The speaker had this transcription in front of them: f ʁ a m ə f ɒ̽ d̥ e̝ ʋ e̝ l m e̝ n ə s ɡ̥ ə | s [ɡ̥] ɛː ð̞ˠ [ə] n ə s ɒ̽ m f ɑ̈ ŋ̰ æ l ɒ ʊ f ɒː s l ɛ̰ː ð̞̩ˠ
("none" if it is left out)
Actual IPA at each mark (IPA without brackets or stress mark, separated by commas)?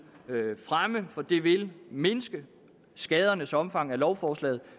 ɡ̥, ɐ